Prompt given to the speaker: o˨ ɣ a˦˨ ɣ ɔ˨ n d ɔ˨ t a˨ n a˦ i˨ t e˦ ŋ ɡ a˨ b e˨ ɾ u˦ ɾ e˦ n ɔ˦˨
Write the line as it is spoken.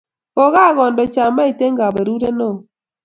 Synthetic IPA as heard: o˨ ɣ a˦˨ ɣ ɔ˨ n d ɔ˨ t͡ʃ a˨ m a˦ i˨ t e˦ ŋ ɡ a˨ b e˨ ɾ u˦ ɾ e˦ n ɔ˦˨